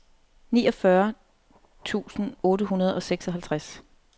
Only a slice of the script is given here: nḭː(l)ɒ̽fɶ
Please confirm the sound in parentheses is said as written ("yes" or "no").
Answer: no